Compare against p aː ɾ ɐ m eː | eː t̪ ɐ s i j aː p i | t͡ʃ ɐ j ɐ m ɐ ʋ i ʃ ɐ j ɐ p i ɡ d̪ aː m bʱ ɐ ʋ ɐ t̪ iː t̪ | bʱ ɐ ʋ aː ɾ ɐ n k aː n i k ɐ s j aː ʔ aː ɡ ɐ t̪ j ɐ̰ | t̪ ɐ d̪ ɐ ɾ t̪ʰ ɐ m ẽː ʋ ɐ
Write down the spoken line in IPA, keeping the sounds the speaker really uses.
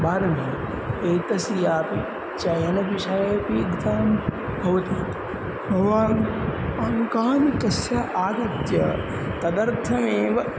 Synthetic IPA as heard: b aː ɾ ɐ m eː | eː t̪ ɐ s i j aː p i | t͡ʃ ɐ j ɐ n ɐ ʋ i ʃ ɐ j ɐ p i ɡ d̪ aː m bʱ ɐ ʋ ɐ t̪ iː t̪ | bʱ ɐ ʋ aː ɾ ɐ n k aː n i k ɐ s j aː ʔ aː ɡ ɐ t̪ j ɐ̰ | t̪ ɐ d̪ ɐ ɾ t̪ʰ ɐ m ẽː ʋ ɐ